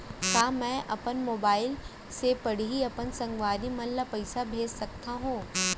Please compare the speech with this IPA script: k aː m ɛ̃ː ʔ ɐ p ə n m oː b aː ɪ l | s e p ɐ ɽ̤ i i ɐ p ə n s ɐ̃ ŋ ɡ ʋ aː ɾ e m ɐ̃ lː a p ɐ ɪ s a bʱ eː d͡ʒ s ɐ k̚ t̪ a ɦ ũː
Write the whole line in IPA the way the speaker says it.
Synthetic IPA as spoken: k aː m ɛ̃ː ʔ ɐ p ə n m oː b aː ɪ l | s e p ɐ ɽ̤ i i ɐ p ə n s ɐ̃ ŋ ɡ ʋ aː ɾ i m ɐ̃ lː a p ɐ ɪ s a bʱ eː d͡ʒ s ɐ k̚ t̪ a ɦ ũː